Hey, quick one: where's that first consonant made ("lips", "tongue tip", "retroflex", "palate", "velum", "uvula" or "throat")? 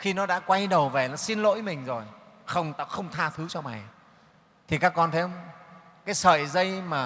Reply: velum